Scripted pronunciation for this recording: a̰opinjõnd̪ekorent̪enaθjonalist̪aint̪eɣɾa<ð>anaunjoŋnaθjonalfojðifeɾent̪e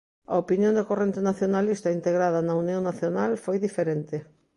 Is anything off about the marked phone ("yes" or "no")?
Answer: no